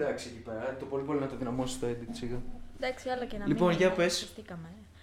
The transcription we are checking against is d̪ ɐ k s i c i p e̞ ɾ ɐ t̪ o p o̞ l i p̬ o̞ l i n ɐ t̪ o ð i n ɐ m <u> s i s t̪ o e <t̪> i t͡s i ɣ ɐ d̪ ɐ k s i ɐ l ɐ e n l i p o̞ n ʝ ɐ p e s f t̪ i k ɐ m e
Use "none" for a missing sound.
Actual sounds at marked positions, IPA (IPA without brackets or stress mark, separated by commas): o, d̪